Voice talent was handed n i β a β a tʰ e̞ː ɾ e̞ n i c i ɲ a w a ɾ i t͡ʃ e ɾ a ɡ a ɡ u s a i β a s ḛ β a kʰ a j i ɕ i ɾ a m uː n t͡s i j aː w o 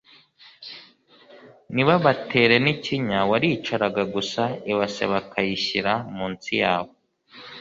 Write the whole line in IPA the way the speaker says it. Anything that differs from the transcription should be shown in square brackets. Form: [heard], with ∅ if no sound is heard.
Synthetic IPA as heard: n i β a β a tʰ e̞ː ɾ e̞ n i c i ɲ a w a ɾ i t͡ʃ [a] ɾ a ɡ a ɡ u s a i β a s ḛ β a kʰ a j i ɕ i ɾ a m uː n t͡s i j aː [β] o